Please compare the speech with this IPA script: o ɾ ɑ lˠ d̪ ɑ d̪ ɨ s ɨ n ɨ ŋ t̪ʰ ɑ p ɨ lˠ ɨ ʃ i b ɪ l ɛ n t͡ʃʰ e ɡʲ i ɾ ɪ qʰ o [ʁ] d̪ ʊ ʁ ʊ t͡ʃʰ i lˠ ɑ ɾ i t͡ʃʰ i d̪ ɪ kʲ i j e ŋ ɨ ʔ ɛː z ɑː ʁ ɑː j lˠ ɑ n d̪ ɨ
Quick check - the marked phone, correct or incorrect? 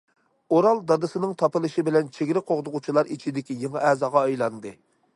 correct